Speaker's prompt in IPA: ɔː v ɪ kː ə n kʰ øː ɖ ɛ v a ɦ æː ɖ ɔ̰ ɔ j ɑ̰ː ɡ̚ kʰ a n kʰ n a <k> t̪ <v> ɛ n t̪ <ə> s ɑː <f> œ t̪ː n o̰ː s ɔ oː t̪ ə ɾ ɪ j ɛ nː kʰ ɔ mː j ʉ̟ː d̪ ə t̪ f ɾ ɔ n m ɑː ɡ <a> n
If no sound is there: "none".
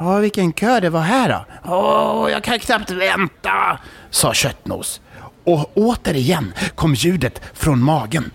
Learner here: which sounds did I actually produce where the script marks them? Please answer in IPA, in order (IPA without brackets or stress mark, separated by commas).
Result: p, v, a, ɕ, ə